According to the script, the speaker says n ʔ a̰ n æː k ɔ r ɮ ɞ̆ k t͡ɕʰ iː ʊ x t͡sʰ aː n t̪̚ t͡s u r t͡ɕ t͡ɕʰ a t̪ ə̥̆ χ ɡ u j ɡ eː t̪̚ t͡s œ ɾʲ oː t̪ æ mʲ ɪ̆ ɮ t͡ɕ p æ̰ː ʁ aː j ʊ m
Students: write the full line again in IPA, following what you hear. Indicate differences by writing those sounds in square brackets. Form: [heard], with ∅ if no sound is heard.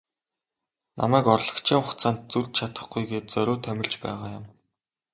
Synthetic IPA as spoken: n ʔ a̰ [m] æː k ɔ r ɮ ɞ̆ k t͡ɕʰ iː ʊ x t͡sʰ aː n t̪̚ t͡s u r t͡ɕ t͡ɕʰ a t̪ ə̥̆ χ ɡ u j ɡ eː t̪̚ t͡s œ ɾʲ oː [t̪ʰ] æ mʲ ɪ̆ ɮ t͡ɕ p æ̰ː ʁ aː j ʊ m